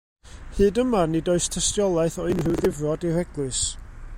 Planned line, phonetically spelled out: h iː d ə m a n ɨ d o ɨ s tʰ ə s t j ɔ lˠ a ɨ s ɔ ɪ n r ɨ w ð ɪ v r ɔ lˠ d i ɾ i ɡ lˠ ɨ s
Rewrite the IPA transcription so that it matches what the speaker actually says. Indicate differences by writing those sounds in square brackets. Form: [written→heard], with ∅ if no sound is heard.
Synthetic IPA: h [iː→ɨː] d ə m a n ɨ d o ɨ s tʰ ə s t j ɔ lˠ a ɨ [s→θ] ɔ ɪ n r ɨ w ð ɪ v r ɔ [lˠ→∅] d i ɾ [i→ɛ] ɡ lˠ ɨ s